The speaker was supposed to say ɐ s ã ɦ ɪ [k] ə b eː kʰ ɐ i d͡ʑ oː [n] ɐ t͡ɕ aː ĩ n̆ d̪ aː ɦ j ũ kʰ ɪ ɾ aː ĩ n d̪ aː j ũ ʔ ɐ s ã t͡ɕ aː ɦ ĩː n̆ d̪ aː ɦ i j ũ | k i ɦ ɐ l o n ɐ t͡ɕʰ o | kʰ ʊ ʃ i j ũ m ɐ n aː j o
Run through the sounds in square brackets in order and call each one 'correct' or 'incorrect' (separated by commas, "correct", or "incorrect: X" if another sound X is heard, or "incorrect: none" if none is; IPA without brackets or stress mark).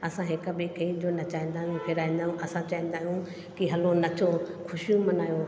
correct, correct